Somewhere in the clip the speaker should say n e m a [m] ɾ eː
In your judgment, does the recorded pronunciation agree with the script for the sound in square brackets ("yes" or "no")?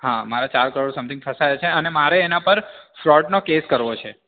no